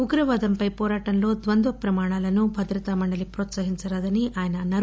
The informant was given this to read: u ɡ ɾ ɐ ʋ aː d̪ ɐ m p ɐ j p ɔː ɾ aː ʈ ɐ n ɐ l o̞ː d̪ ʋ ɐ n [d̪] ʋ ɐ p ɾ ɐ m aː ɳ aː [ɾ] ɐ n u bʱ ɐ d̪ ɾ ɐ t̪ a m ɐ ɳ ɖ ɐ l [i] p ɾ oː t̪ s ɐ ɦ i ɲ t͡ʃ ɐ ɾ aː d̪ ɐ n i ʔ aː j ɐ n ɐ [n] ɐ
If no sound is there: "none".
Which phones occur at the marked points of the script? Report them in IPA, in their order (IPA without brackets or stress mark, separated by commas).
d̪, l, i, n